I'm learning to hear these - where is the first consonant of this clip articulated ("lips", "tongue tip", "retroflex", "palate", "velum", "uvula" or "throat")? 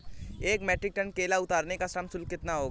velum